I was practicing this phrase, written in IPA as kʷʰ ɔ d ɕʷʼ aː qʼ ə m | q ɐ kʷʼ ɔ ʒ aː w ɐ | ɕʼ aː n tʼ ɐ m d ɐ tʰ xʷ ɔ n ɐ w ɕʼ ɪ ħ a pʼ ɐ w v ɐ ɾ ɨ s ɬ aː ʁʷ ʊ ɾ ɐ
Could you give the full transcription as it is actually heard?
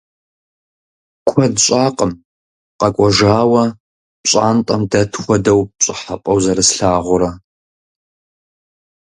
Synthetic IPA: kʷʰ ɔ d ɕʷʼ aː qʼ ə m | q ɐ kʷʼ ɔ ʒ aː w ɐ | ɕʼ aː n tʼ ɐ m d ɐ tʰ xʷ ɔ d ɐ w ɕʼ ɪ ħ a pʼ ɐ w z ɐ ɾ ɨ s ɬ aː ʁʷ ʊ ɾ ɐ